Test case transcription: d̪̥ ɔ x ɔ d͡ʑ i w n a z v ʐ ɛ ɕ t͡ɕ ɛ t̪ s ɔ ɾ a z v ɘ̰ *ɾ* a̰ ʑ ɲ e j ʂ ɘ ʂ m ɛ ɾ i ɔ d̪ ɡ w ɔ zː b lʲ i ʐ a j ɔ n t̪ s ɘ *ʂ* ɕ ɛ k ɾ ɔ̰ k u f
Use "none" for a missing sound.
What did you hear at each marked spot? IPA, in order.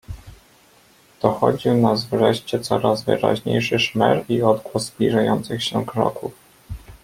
ɾ, x

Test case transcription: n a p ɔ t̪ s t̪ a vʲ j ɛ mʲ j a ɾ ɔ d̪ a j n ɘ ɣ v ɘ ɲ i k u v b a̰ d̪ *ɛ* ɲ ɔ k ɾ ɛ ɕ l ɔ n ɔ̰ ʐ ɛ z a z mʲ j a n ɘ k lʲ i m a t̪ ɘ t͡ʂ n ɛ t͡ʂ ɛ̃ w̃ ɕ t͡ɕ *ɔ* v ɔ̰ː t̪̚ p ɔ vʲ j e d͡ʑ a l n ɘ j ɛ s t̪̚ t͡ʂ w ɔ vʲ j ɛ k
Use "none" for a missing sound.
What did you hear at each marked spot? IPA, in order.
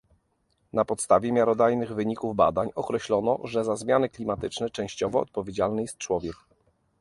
a, ɔ

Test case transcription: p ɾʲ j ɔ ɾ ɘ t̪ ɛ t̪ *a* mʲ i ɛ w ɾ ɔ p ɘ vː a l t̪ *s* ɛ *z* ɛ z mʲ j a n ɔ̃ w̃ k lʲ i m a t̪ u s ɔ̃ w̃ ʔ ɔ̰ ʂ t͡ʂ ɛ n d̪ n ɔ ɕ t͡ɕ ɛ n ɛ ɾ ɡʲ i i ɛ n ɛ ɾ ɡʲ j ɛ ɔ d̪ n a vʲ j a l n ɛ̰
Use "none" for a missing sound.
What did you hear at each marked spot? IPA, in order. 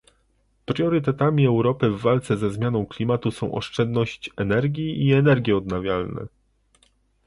a, s, z

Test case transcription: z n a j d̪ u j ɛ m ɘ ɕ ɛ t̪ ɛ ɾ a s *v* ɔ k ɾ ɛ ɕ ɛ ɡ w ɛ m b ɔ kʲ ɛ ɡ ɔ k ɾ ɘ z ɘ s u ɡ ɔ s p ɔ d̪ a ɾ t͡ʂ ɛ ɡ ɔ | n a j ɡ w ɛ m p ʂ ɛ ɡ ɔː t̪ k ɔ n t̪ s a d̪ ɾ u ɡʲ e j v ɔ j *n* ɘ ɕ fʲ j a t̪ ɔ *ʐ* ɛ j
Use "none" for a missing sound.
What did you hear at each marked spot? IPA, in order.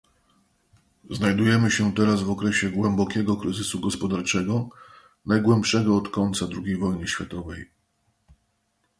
v, n, v

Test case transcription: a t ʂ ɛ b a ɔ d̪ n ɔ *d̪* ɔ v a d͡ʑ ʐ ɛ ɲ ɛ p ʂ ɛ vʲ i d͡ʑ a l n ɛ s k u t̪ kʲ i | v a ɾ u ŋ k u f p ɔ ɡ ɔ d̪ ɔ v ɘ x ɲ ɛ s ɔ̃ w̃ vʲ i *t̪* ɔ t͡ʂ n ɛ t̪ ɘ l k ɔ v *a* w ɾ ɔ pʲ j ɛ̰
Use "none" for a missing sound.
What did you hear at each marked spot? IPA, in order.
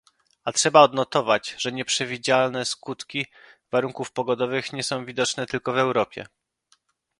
t̪, d̪, ɛ

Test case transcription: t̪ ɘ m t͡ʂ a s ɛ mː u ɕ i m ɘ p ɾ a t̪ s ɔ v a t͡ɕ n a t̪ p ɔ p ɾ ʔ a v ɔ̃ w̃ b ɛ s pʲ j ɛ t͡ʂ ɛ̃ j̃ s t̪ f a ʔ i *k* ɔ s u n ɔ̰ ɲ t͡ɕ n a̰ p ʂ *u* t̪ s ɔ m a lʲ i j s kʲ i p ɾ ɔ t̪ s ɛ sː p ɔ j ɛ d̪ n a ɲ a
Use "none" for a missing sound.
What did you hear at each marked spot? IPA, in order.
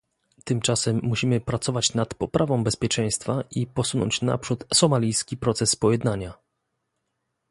p, u

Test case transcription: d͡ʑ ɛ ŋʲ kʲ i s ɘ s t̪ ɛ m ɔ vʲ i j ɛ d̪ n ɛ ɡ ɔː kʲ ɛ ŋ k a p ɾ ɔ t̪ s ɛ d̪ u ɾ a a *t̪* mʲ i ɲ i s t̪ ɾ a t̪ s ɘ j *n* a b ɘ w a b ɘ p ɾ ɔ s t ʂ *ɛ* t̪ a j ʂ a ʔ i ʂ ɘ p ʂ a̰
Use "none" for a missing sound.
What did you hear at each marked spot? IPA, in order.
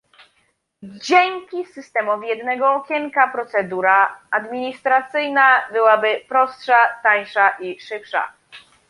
d̪, n, a

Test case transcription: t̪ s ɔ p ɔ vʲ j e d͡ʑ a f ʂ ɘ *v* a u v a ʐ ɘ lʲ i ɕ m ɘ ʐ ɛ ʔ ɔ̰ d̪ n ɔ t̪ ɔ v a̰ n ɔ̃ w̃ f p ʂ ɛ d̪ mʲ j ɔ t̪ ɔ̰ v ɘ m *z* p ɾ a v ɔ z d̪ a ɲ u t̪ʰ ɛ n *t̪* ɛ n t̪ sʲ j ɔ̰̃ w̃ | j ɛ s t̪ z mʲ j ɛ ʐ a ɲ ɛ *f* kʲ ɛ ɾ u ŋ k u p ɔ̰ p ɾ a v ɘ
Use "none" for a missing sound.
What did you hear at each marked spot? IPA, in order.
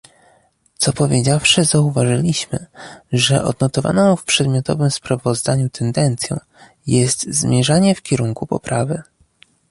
z, s, d̪, f

